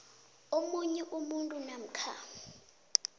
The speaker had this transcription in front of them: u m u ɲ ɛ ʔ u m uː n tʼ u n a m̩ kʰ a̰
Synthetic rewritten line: o m u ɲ ɛ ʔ u m u n tʼ u n a m̩ kʰ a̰